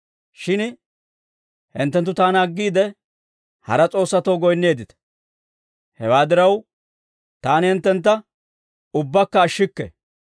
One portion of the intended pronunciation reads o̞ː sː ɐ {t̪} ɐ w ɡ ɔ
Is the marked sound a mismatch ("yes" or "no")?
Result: no